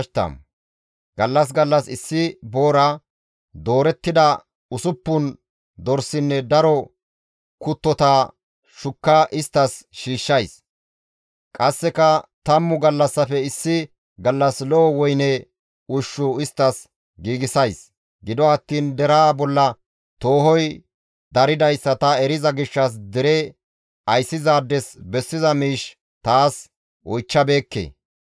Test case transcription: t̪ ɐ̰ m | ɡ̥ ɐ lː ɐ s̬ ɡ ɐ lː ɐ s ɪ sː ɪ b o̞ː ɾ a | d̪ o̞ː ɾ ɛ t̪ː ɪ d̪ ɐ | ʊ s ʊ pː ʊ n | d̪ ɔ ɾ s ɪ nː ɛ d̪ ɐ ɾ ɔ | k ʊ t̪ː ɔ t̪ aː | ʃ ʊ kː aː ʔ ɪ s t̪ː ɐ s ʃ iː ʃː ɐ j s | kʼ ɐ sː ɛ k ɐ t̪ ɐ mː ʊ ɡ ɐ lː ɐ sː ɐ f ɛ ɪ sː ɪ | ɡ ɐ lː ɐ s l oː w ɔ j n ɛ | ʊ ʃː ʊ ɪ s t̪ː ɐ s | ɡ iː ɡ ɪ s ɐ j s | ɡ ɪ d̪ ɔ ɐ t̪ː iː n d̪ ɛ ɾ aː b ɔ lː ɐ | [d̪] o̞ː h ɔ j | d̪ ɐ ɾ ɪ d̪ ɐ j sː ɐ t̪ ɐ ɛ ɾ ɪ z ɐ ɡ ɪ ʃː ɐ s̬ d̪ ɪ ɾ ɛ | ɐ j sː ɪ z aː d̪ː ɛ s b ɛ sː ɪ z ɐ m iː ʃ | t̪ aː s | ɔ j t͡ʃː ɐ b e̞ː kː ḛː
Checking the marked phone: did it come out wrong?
yes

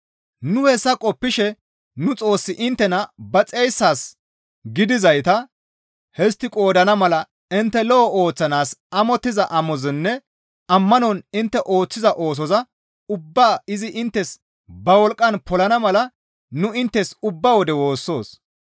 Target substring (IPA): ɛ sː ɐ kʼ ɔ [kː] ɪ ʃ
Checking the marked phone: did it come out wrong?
yes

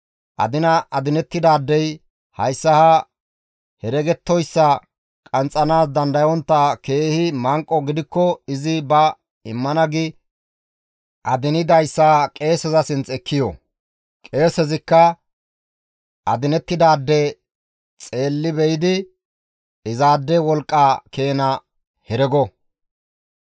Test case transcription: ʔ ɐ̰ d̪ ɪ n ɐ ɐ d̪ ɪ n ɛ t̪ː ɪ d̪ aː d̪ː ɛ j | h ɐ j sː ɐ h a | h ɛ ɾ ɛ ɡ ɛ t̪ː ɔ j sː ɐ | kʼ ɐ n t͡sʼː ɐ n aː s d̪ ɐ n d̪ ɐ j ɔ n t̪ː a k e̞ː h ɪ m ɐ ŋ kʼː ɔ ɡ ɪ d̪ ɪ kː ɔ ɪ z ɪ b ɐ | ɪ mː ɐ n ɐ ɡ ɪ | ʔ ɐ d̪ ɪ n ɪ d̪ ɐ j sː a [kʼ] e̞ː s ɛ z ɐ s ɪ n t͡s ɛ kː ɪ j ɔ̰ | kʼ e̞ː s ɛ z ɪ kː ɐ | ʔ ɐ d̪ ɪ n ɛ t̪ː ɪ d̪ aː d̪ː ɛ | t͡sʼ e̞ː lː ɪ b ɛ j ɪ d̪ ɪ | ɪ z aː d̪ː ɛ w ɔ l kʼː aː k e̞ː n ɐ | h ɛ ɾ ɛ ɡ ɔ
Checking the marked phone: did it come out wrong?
no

